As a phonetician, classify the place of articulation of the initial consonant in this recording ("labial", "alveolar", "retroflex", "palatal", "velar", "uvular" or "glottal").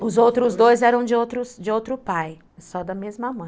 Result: alveolar